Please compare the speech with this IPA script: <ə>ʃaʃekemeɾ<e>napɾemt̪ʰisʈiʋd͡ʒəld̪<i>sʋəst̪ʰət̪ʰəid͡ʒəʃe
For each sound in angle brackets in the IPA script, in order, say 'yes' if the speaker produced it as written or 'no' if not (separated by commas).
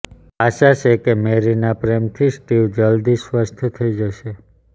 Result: no, no, yes